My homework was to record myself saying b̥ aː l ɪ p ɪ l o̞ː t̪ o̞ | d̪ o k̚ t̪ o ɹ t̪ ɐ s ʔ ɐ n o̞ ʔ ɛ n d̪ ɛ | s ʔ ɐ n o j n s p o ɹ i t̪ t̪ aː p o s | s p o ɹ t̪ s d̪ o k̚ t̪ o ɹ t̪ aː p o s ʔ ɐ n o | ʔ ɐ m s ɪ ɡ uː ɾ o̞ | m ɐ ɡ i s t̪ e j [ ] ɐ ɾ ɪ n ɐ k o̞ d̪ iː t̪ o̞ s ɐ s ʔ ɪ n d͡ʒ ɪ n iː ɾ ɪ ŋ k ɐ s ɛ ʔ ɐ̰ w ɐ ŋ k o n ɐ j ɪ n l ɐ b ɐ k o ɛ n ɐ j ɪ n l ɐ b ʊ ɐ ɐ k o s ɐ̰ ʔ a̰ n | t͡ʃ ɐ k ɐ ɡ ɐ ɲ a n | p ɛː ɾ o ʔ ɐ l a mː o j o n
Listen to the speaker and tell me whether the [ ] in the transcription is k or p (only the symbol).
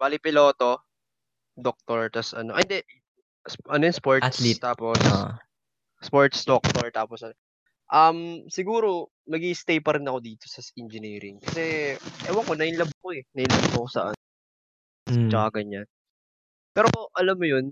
p